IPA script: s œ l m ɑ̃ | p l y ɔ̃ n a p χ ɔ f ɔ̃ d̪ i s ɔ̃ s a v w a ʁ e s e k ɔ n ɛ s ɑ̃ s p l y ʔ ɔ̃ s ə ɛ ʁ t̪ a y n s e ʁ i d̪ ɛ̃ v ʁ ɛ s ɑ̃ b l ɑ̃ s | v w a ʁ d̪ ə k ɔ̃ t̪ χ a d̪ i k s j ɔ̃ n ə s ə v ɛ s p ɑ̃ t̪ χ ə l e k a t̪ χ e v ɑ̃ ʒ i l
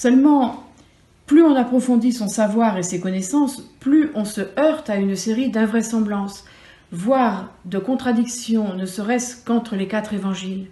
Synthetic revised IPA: s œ l m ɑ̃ | p l y ɔ̃ n a p χ ɔ f ɔ̃ d̪ i s ɔ̃ s a v w a ʁ e s e k ɔ n ɛ s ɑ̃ s p l y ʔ ɔ̃ s ə œ ʁ t̪ a y n s e ʁ i d̪ ɛ̃ v ʁ ɛ s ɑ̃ b l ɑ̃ s | v w a ʁ d̪ ə k ɔ̃ t̪ χ a d̪ i k s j ɔ̃ n ə s ə ʁ ɛ s k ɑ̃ t̪ χ ə l e k a t̪ χ e v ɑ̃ ʒ i l